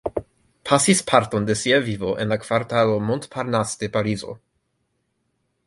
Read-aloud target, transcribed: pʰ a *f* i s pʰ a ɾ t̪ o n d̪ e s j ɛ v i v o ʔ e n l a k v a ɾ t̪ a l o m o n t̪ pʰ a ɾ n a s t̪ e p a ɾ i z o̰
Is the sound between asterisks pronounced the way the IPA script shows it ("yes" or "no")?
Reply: no